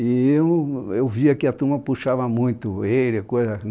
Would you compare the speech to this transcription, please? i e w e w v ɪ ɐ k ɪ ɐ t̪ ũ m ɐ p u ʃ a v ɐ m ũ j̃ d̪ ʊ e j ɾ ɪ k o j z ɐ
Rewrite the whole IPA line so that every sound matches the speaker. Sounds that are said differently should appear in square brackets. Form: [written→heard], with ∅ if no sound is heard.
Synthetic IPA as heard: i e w e w v [ɪ→i] ɐ k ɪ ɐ t̪ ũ m ɐ p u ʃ a v ɐ m ũ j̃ [d̪→t̪] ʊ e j ɾ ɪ k o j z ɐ

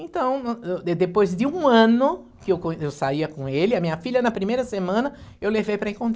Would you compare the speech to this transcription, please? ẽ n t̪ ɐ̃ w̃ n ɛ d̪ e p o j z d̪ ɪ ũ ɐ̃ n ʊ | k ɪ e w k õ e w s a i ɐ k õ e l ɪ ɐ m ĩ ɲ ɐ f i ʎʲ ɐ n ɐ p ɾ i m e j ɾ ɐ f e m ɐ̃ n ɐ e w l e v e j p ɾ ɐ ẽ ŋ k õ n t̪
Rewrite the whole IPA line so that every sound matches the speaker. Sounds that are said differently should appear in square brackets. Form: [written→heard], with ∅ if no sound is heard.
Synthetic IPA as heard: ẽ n t̪ ɐ̃ w̃ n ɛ d̪ e p o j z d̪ ɪ ũ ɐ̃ n ʊ | k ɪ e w k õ e w s a i ɐ k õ e l ɪ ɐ m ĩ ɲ ɐ f i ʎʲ ɐ n ɐ p ɾ i m e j ɾ ɐ [f→s] e m ɐ̃ n ɐ e w l e v e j p ɾ ɐ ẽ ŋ k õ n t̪

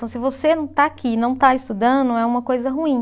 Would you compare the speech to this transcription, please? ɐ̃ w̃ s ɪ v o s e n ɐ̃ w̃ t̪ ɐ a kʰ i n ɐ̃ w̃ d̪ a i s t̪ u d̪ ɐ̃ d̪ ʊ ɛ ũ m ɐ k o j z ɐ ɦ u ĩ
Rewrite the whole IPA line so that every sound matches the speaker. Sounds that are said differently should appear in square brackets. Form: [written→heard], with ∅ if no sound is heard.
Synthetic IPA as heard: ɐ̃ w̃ s ɪ v o s e n ɐ̃ w̃ t̪ [ɐ→a] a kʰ i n ɐ̃ w̃ [d̪→t̪] a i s t̪ u d̪ ɐ̃ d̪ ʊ ɛ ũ m ɐ k o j z ɐ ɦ u ĩ

